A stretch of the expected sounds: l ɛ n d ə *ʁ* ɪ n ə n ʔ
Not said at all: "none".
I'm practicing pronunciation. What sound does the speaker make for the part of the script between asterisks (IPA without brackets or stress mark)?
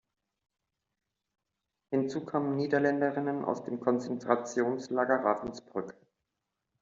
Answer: ʁ